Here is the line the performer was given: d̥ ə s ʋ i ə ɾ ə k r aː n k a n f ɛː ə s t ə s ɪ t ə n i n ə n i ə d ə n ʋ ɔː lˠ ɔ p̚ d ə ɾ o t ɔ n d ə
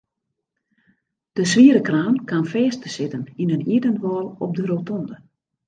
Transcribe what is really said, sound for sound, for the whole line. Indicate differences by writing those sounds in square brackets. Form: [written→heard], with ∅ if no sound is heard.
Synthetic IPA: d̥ ə s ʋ i ə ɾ ə k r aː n k a n f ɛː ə s t ə s ɪ t ə n i n ə n i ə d ə n ʋ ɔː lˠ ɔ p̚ d ə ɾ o t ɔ n d ə